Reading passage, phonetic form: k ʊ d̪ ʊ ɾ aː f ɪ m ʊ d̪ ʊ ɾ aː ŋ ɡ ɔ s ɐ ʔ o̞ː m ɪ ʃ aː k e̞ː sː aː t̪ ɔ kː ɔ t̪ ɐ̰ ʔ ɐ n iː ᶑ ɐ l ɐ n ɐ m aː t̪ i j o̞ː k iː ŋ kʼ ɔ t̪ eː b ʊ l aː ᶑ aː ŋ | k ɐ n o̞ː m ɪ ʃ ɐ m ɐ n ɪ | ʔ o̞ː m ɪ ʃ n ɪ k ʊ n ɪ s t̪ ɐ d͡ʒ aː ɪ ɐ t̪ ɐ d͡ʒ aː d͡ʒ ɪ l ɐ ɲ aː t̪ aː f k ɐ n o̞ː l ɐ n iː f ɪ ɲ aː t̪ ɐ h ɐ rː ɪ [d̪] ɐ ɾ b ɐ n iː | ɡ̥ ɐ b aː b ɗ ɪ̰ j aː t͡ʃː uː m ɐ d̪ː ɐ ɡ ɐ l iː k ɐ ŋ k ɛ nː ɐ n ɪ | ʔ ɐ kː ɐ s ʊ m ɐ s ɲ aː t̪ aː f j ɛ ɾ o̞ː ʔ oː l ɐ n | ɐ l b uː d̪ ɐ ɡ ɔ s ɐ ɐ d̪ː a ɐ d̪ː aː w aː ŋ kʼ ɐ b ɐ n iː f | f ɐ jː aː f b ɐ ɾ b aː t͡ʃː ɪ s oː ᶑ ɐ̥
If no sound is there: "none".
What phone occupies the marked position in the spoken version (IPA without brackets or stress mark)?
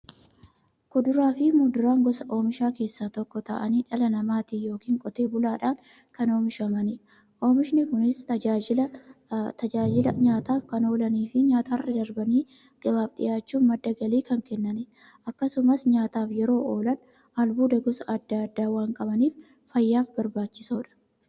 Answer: d̪